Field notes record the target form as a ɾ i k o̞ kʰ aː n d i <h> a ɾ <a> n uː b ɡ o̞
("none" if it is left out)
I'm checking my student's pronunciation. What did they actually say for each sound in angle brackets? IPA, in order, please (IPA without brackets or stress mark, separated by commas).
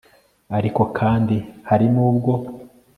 h, i